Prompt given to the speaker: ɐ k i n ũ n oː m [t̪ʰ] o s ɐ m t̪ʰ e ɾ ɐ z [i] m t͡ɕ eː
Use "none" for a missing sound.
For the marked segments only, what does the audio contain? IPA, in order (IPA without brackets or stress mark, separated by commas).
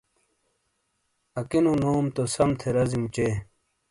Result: t̪, i